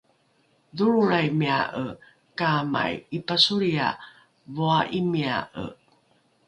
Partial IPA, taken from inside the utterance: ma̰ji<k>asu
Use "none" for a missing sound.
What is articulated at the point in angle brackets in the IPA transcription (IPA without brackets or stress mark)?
p